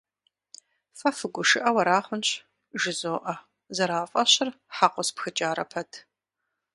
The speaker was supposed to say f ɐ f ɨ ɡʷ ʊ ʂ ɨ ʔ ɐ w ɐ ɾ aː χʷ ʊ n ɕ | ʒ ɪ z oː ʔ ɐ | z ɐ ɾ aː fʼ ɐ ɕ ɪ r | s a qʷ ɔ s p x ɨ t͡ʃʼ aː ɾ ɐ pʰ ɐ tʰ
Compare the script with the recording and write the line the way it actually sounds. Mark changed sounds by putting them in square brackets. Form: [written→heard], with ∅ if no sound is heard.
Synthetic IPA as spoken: f ɐ f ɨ ɡʷ ʊ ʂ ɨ ʔ ɐ w ɐ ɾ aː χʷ ʊ n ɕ | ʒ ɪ z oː ʔ ɐ | z ɐ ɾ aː fʼ ɐ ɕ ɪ r | [s→ħ] a qʷ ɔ s p x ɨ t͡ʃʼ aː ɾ ɐ pʰ ɐ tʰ

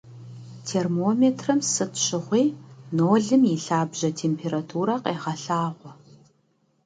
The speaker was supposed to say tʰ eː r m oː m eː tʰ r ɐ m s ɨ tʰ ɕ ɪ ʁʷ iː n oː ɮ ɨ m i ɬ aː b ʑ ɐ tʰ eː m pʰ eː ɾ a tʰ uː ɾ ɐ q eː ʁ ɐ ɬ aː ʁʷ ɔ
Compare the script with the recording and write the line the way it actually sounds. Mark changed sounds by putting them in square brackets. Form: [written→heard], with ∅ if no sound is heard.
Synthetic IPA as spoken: tʰ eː r m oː m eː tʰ r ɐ m s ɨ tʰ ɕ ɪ ʁʷ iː n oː ɮ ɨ m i ɬ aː b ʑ ɐ tʰ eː m pʰ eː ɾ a tʰ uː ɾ ɐ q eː ʁ ɐ ɬ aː ʁʷ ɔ

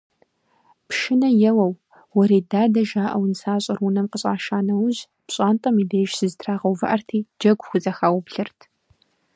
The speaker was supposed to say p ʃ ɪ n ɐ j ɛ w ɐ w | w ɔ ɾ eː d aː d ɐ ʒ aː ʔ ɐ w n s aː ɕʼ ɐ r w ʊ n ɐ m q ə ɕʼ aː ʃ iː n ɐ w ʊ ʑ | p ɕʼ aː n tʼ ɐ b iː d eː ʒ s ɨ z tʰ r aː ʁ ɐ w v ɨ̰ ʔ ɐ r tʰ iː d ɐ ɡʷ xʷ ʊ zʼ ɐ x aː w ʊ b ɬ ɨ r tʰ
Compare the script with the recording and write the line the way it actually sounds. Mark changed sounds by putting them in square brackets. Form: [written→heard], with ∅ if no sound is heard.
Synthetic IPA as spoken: p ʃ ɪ n ɐ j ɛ w ɐ w | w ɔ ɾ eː d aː d ɐ ʒ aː ʔ ɐ w n s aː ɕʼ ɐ r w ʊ n ɐ m q ə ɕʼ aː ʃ [iː→aː] n ɐ w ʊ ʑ | p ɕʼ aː n tʼ ɐ [b→m] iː d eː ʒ s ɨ z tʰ r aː ʁ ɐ w v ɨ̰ ʔ ɐ r tʰ iː [d→d͡ʒ] ɐ ɡʷ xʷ ʊ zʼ ɐ x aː w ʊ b ɬ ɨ r tʰ

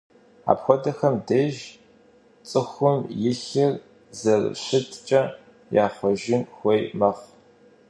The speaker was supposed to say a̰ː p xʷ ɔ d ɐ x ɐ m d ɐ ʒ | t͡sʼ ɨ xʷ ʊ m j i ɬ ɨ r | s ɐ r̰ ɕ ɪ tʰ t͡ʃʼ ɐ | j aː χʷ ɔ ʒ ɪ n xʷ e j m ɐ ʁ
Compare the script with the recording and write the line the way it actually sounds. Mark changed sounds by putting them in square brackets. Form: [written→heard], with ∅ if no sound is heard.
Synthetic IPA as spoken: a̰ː p xʷ ɔ d ɐ x ɐ m d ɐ ʒ | t͡sʼ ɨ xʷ ʊ m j [i→ɪ] ɬ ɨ r | [s→z] ɐ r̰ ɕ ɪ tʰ t͡ʃʼ ɐ | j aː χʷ ɔ ʒ ɪ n xʷ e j m ɐ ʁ

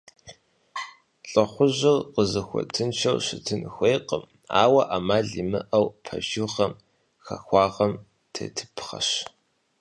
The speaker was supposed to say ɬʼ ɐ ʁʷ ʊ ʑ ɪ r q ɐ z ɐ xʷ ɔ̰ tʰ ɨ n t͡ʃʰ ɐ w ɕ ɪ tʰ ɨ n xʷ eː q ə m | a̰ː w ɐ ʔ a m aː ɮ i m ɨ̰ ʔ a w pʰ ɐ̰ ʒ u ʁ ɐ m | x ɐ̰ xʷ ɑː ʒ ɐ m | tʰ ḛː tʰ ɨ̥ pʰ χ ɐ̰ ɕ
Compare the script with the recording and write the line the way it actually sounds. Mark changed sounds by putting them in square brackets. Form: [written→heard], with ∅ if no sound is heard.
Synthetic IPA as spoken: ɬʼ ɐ [ʁʷ→χʷ] ʊ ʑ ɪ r q [ɐ→ə] z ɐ xʷ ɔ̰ tʰ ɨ n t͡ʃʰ ɐ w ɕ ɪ tʰ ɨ n xʷ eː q ə m | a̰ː w ɐ ʔ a m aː ɮ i m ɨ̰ ʔ [a→ɐ] w pʰ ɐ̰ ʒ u ʁ ɐ m | x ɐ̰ xʷ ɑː [ʒ→ʁ] ɐ m | tʰ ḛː tʰ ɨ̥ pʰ χ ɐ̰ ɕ

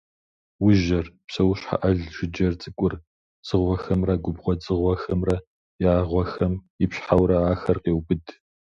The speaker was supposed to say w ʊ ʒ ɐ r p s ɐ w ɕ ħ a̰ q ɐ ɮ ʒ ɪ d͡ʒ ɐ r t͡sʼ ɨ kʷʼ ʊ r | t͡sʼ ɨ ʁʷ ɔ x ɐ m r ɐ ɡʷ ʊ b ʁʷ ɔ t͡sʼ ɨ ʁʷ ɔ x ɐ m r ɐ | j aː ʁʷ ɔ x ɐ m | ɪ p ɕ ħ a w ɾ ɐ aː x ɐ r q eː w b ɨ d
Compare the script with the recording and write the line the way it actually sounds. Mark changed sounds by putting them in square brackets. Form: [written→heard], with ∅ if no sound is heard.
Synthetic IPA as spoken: w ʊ ʒ ɐ r p s ɐ w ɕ ħ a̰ [q→ʔ] ɐ ɮ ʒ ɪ d͡ʒ ɐ r t͡sʼ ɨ kʷʼ ʊ r | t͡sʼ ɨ ʁʷ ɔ x ɐ m r ɐ ɡʷ ʊ b ʁʷ ɔ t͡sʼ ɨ ʁʷ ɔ x ɐ m r ɐ | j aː ʁʷ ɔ x ɐ m | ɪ p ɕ ħ a w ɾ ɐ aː x ɐ r q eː w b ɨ d

